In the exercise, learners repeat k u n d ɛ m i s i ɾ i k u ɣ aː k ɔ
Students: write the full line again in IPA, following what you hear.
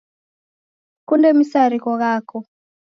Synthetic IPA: k u n d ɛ m i s a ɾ i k ɔ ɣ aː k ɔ